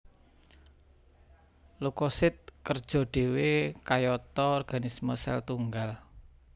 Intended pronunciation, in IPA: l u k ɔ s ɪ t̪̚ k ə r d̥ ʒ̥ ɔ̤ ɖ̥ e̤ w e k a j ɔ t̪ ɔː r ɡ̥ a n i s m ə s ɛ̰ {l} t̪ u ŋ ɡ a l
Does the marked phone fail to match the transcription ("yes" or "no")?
no